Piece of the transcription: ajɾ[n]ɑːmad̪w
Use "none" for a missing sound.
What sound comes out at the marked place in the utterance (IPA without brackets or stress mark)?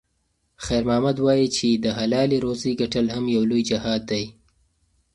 m